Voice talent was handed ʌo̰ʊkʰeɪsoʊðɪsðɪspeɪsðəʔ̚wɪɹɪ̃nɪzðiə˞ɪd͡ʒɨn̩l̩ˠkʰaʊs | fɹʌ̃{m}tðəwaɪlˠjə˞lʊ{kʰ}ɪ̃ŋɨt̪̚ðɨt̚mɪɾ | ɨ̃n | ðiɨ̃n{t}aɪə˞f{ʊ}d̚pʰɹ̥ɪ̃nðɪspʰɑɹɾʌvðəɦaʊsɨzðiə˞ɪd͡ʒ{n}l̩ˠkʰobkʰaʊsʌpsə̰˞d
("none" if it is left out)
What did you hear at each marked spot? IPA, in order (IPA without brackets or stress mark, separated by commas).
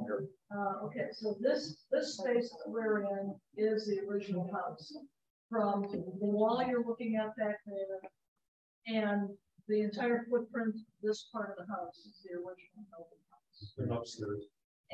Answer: m, k, tʰ, ʊ, n